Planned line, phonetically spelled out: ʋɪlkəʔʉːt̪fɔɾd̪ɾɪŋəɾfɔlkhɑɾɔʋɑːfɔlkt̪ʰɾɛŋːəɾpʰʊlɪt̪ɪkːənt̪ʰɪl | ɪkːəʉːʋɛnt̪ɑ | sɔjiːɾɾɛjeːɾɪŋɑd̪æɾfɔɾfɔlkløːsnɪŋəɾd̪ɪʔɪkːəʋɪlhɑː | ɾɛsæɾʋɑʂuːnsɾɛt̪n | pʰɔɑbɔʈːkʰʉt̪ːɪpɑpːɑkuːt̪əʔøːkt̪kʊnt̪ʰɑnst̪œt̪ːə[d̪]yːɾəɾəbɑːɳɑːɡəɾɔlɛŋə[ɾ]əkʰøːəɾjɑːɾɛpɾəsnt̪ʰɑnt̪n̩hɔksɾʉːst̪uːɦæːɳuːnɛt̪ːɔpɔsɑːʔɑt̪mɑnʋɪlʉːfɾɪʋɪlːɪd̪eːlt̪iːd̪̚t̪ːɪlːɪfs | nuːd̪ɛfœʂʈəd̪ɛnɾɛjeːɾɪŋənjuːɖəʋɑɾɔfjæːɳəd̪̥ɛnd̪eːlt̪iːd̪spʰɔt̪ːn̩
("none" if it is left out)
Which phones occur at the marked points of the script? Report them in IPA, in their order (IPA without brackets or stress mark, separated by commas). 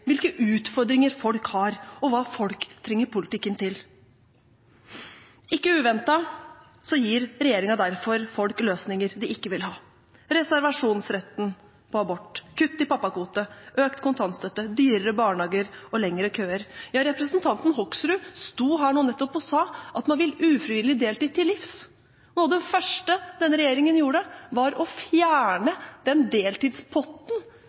d̪, ɾ